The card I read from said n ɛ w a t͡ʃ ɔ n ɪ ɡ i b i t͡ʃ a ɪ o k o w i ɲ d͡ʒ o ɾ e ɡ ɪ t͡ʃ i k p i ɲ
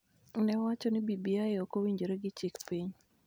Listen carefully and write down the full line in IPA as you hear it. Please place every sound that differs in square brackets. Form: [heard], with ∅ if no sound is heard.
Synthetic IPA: n ɛ w a t͡ʃ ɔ n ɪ [b] i b i [∅] a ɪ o k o w i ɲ d͡ʒ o ɾ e ɡ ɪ t͡ʃ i k p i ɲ